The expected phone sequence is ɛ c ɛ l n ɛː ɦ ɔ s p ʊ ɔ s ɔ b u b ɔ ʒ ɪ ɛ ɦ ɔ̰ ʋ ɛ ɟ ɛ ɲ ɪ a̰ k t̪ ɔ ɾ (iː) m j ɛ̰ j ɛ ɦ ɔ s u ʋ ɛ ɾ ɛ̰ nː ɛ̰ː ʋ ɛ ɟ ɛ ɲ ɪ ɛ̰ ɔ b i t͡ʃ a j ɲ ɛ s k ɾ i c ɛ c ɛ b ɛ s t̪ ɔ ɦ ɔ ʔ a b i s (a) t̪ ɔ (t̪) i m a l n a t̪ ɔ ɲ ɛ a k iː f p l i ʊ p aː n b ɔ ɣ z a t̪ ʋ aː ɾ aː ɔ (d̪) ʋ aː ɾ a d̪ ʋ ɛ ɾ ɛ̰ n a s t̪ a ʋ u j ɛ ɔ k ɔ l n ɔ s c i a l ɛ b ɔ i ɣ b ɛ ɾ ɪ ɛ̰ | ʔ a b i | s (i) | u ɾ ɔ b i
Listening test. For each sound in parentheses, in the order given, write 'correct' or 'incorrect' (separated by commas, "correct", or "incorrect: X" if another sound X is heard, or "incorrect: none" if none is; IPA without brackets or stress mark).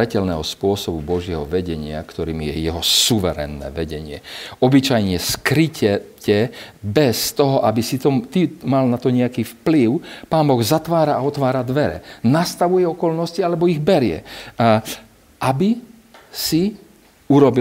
correct, incorrect: i, correct, incorrect: t̪, correct